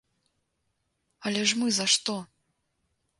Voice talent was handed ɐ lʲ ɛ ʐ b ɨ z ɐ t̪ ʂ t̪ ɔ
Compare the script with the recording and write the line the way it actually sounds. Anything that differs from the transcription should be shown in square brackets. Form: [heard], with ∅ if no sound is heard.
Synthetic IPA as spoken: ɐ lʲ ɛ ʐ [m] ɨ z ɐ [∅] ʂ t̪ ɔ